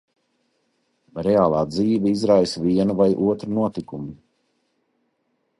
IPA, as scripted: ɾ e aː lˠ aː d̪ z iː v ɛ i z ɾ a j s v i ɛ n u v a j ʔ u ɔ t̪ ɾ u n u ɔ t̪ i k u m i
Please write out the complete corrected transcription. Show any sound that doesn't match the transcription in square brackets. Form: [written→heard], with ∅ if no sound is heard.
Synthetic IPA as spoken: ɾ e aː lˠ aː d̪ z iː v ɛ i z ɾ a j s v i ɛ n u v a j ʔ u ɔ t̪ ɾ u n u ɔ t̪ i k u m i